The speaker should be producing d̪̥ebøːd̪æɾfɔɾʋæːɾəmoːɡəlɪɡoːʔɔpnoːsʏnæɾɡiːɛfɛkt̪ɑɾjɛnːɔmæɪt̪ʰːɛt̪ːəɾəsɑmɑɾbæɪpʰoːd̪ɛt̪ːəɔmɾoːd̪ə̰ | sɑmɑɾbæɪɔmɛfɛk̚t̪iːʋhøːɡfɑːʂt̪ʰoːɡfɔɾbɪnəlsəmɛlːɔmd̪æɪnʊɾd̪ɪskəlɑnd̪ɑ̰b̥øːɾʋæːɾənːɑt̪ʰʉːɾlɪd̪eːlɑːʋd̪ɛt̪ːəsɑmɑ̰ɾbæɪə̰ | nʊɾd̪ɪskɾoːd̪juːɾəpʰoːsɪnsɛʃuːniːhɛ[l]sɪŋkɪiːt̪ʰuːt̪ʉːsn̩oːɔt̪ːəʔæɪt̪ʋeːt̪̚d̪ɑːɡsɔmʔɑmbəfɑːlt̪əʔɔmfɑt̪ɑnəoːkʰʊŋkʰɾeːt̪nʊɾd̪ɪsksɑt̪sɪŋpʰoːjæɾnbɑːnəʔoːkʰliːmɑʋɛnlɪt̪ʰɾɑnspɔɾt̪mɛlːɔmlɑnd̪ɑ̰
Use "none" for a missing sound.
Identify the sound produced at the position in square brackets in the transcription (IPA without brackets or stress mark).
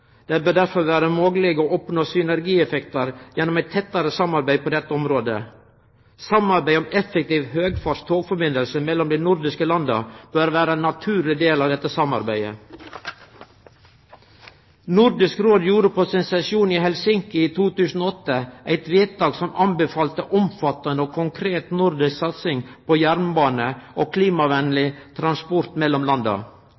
l